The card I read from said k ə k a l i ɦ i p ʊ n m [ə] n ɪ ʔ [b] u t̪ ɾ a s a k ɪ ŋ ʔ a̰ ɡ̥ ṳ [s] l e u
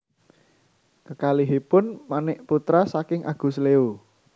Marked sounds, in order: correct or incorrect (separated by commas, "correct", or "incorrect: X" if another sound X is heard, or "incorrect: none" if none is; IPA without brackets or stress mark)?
incorrect: a, incorrect: p, correct